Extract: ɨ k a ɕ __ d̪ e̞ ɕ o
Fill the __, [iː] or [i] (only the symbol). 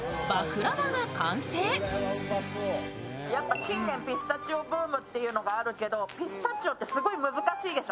iː